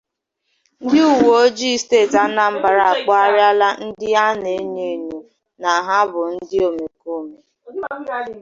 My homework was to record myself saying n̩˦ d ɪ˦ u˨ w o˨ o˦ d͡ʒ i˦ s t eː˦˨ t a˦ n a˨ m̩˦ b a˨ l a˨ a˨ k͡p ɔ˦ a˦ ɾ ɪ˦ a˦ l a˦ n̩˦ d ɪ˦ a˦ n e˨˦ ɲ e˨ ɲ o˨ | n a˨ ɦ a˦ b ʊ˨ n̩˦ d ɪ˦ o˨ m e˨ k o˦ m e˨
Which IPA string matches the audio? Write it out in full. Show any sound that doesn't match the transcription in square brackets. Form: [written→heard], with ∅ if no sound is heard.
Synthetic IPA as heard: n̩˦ d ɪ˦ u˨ w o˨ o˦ d͡ʒ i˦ s t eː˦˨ t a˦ n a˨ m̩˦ b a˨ [l→ɾ] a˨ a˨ k͡p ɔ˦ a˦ ɾ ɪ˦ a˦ l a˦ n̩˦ d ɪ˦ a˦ n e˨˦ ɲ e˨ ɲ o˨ | n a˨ ɦ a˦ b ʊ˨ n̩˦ d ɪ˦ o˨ m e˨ k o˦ m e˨